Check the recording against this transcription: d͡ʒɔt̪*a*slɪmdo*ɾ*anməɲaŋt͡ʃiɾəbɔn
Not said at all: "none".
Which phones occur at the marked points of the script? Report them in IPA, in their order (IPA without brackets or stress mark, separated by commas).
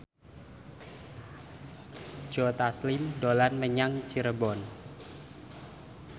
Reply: a, l